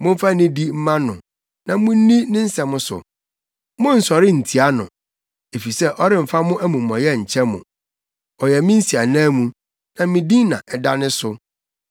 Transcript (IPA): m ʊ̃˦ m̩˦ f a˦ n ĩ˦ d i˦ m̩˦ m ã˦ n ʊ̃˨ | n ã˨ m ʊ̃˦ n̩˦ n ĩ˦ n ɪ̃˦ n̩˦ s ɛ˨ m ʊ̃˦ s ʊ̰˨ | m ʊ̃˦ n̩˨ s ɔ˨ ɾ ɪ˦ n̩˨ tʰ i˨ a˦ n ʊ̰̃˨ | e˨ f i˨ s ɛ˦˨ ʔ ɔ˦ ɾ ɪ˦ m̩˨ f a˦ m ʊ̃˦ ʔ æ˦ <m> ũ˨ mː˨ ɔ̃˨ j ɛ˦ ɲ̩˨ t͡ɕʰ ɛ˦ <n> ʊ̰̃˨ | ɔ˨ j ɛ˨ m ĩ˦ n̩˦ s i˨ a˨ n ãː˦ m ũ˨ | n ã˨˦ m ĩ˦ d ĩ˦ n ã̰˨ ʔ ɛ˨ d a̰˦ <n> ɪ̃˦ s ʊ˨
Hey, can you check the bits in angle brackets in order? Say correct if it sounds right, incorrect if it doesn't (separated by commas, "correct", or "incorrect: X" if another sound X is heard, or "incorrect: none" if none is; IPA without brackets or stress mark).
correct, incorrect: m, correct